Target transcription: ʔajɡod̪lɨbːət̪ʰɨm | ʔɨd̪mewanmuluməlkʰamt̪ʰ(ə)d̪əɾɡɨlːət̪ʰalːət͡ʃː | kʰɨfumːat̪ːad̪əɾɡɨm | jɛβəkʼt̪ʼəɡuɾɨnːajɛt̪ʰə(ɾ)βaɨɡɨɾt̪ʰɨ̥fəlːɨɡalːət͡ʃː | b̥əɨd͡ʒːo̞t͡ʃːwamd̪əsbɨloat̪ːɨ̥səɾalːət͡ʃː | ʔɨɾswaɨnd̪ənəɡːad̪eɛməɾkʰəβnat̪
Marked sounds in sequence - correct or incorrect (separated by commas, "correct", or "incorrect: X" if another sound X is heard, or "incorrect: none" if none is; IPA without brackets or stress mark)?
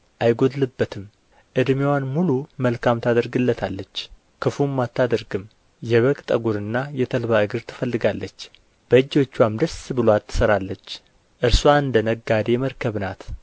incorrect: a, incorrect: l